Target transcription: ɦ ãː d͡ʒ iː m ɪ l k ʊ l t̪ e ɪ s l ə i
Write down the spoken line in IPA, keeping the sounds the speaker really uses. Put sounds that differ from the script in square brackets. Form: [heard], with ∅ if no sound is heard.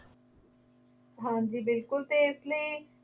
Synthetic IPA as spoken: ɦ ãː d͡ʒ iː [b] ɪ l k ʊ l t̪ e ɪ s l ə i